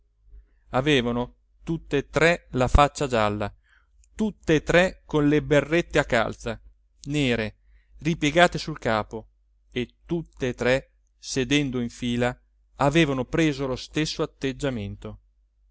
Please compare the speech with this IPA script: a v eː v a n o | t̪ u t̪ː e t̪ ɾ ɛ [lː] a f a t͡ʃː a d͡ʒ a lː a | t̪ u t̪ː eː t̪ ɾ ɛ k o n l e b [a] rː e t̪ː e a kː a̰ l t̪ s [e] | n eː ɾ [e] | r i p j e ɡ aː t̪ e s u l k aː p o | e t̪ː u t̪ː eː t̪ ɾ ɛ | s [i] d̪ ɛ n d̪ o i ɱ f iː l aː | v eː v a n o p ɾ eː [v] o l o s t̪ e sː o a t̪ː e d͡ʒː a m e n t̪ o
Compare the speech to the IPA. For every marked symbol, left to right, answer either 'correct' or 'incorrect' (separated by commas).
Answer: incorrect, incorrect, incorrect, correct, incorrect, incorrect